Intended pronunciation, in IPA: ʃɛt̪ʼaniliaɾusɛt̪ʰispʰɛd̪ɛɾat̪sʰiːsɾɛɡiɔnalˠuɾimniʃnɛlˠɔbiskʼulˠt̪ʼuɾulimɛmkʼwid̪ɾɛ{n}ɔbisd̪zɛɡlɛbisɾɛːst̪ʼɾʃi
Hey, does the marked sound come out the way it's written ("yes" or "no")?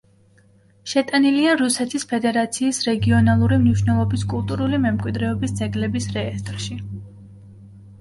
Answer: no